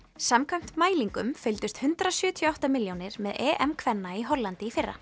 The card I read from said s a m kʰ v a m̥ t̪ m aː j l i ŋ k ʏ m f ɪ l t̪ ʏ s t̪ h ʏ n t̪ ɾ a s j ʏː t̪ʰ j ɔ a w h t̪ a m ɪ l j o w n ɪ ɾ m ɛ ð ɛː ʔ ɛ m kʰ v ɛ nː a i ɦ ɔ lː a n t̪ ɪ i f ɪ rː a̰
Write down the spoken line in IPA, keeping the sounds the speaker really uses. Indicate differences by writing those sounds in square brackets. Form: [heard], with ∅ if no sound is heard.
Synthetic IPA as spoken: s a m kʰ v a m̥ t̪ m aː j l i ŋ k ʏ m f ɪ l t̪ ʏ s t̪ h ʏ n t̪ ɾ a s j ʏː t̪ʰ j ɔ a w h t̪ a m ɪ l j o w n ɪ ɾ m ɛ ð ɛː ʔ ɛ m kʰ v ɛ nː a i ɦ ɔ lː a n t̪ ɪ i f ɪ rː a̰